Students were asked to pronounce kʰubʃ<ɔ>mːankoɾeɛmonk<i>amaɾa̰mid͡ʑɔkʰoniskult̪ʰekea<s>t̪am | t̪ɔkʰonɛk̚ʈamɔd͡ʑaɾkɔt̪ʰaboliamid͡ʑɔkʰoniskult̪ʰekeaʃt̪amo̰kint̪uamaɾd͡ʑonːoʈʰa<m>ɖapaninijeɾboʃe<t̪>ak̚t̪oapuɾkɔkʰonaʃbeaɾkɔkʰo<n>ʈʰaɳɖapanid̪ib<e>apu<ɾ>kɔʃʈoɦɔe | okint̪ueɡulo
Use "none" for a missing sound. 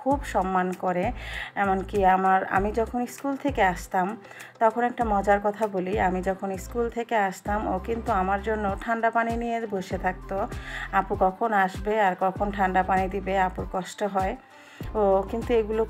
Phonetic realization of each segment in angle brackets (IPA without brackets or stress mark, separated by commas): ɔ, i, ʃ, ɳ, t̪ʰ, n, e, ɾ